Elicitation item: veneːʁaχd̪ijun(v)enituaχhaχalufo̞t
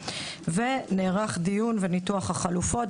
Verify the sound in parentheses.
correct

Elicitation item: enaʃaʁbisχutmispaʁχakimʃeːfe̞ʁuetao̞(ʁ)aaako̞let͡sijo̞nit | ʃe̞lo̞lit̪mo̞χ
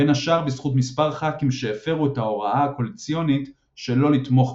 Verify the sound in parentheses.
correct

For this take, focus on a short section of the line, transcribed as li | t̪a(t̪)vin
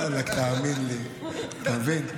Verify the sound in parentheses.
incorrect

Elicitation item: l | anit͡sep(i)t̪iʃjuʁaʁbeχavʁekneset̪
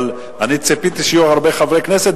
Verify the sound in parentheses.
correct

